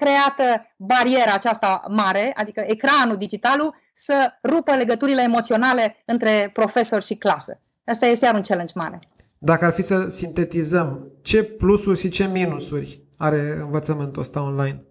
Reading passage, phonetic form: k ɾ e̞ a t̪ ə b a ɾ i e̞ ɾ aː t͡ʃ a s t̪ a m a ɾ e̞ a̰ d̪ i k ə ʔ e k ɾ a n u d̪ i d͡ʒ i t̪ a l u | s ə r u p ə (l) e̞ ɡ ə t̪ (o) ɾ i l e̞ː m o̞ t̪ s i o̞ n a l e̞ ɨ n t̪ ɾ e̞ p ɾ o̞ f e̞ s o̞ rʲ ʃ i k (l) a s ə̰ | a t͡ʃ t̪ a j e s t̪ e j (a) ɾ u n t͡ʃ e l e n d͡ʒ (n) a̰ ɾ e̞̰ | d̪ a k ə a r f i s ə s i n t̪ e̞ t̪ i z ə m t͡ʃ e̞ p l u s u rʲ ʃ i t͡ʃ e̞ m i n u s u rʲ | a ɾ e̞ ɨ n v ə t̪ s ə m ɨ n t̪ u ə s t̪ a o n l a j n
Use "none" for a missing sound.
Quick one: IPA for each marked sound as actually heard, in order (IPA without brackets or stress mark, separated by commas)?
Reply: l, u, l, a, m